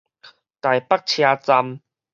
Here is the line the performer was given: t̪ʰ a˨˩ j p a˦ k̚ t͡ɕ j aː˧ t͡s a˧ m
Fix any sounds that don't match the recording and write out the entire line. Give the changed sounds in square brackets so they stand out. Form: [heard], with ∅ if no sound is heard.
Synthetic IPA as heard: [t̪] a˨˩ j p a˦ k̚ [t͡ɕʰ] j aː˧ t͡s a˧ m